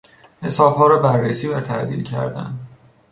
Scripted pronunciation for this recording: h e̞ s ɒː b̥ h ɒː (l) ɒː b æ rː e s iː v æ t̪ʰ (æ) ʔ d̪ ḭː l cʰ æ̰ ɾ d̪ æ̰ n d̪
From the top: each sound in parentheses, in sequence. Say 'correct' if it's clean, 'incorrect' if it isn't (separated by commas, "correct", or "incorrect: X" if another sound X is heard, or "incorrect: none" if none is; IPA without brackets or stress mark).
incorrect: ɾ, correct